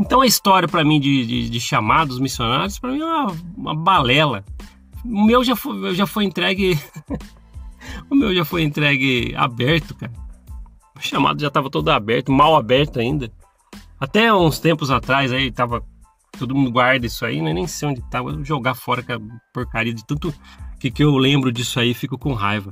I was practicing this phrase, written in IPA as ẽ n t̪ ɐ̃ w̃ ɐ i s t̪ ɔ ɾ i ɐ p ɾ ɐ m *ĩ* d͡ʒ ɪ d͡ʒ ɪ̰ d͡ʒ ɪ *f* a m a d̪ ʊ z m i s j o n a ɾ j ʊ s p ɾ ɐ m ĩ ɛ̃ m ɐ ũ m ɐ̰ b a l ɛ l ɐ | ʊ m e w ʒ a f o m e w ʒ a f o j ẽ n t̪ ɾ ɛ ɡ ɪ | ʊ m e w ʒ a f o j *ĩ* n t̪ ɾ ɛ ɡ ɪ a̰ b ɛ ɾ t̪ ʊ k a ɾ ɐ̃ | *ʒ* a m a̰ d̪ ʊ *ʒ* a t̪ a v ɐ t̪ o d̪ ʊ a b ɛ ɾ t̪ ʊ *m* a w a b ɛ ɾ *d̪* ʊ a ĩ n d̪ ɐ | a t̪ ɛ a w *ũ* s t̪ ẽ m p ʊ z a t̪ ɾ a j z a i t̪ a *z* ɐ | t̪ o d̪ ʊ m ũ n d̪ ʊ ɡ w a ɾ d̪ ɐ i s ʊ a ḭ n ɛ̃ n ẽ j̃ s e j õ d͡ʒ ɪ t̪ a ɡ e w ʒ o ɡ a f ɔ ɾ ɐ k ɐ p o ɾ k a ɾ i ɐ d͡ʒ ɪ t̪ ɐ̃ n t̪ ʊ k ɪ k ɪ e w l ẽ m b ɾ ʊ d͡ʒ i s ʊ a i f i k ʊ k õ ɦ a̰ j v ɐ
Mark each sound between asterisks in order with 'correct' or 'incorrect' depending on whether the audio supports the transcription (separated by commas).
correct, incorrect, incorrect, incorrect, correct, correct, incorrect, correct, incorrect